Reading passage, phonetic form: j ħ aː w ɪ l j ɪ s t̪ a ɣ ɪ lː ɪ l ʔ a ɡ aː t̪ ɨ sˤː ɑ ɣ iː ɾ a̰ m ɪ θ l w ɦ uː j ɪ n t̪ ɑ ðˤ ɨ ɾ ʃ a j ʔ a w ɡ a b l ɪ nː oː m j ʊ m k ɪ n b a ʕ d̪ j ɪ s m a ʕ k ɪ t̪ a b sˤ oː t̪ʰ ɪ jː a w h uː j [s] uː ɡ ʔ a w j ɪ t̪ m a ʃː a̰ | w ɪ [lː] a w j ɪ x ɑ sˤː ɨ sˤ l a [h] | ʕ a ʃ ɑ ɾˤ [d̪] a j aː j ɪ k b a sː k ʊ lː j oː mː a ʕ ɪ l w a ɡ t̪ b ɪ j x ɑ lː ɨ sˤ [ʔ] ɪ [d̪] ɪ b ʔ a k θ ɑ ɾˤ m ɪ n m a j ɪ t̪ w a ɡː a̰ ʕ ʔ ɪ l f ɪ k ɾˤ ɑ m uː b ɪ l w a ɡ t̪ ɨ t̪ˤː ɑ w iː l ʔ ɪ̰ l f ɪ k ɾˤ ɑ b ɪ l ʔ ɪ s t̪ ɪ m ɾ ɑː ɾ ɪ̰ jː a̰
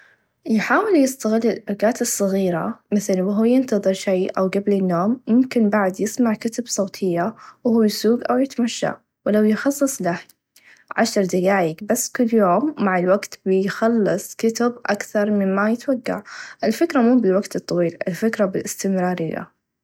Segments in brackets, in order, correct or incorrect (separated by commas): correct, incorrect, correct, correct, incorrect, incorrect